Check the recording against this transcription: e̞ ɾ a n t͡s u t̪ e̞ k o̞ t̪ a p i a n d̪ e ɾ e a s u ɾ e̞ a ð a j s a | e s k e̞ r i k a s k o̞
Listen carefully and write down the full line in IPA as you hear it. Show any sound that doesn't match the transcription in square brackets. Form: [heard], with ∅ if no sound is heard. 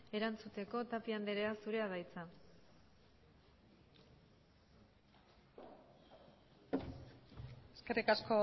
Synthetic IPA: e̞ ɾ a n t͡s u t̪ e̞ k o̞ t̪ a p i a n d̪ e ɾ e a s u ɾ e̞ a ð a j [t͡s] a | e s k e̞ r i k a s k o̞